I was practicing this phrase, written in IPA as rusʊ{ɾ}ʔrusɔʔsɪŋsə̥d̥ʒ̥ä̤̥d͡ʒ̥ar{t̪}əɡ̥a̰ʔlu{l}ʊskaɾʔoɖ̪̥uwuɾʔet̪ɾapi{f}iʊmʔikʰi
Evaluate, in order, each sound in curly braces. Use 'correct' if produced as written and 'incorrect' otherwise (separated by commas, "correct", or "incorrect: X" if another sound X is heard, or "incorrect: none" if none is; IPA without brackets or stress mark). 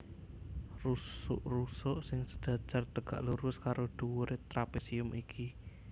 incorrect: none, correct, incorrect: ɾ, incorrect: s